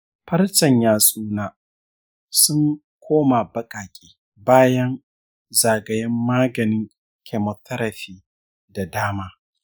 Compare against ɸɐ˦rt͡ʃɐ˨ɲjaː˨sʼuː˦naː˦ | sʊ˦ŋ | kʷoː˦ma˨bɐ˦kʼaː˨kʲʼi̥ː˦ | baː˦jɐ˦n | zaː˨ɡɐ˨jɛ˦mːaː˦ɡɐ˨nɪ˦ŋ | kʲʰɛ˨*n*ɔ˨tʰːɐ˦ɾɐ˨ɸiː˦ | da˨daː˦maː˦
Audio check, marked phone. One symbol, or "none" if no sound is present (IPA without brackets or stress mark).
m